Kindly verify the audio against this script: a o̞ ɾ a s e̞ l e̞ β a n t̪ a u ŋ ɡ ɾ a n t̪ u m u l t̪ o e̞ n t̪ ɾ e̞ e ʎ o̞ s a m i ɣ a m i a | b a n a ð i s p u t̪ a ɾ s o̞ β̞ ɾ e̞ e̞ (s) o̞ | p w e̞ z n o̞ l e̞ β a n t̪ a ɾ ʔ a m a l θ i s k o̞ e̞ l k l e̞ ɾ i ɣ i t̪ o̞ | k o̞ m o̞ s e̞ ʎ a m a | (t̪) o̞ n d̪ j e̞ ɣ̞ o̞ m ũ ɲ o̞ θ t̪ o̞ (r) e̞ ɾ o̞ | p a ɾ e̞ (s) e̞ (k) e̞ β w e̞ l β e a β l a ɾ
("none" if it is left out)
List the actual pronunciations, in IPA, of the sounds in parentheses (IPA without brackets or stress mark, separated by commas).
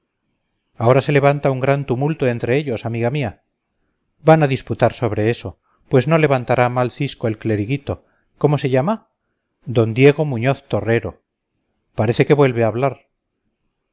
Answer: s, d̪, r, θ, k